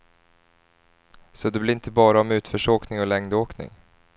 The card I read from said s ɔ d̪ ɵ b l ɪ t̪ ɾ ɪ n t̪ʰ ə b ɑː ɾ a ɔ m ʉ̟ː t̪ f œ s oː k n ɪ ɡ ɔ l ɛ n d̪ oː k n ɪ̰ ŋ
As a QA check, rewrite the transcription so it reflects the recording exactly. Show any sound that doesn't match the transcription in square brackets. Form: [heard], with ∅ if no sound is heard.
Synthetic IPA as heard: s ɔ d̪ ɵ b l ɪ [∅] ɾ ɪ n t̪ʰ ə b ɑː ɾ a ɔ m ʉ̟ː t̪ f œ [ʂ] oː k n ɪ [ŋ] ɔ l ɛ [ŋ] d̪ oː k n ɪ̰ ŋ